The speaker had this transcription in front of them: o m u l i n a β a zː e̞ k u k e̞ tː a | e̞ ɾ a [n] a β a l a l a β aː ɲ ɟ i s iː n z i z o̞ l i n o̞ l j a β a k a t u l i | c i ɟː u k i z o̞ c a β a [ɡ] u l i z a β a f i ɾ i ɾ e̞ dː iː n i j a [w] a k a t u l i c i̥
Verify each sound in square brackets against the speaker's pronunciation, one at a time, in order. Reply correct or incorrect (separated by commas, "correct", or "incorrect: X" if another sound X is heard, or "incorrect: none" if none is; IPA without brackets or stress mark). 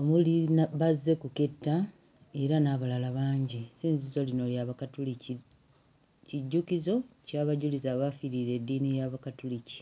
correct, incorrect: ɟ, incorrect: β